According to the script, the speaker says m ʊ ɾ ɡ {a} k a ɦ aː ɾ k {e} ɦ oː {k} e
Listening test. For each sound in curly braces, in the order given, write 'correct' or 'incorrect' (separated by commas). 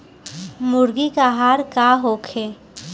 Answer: incorrect, incorrect, incorrect